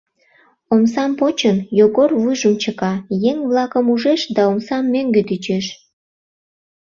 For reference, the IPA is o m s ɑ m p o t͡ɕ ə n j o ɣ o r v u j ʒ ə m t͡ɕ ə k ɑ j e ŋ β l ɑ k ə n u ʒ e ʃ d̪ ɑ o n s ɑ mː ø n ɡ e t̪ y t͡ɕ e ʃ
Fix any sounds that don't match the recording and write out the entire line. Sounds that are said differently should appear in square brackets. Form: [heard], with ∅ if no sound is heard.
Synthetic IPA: o m s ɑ m p o t͡ɕ ə n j o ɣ o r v u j ʒ ə m t͡ɕ ə k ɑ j e ŋ β l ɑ k ə [m] u ʒ e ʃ d̪ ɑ o [m] s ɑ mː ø [ŋ] ɡ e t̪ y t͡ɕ e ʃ